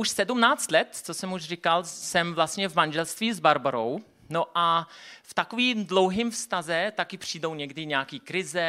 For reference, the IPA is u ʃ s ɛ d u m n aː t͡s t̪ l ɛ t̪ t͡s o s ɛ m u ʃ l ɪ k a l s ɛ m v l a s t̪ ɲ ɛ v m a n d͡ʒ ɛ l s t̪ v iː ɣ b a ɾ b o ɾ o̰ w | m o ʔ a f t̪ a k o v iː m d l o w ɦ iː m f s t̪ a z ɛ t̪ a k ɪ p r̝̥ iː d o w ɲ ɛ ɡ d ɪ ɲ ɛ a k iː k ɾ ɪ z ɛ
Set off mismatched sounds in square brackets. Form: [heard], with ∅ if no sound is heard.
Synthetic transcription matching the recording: u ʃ s ɛ d u m n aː t͡s t̪ l ɛ t̪ t͡s o s ɛ m u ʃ [r] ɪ k a l s ɛ m v l a s t̪ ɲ ɛ v m a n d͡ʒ ɛ l s t̪ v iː [z] b a ɾ b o ɾ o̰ w | [n] o ʔ a f t̪ a k o v iː m d l o w ɦ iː m f s t̪ a z ɛ t̪ a k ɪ p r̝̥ iː d o w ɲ ɛ ɡ d ɪ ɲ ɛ a k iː k ɾ ɪ z ɛ